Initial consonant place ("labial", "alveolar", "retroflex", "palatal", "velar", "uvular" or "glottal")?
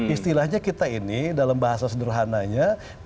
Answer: alveolar